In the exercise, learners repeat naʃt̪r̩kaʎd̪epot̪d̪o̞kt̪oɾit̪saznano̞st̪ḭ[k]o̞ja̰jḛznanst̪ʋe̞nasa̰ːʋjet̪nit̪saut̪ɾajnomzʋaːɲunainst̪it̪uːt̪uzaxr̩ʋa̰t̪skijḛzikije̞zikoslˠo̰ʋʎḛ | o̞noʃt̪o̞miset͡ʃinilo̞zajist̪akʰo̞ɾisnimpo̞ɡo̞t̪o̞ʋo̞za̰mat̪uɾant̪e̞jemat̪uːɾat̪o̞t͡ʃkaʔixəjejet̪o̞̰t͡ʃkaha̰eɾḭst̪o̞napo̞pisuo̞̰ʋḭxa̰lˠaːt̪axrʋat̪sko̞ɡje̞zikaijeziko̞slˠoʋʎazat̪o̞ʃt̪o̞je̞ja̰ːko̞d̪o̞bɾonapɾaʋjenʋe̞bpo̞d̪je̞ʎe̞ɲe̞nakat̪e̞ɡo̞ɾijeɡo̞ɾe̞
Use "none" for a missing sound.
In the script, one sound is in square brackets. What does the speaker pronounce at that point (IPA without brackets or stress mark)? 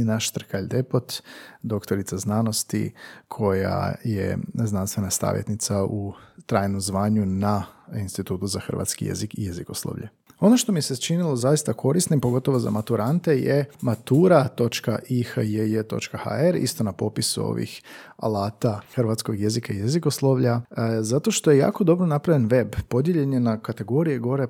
kʰ